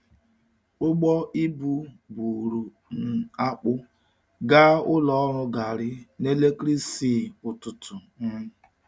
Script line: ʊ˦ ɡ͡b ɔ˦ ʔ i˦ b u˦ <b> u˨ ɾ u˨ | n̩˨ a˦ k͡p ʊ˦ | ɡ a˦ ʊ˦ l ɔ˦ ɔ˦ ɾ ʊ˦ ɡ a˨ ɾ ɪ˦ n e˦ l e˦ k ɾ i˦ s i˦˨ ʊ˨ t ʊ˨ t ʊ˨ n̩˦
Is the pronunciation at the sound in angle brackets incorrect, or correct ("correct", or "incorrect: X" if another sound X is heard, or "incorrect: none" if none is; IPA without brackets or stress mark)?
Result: correct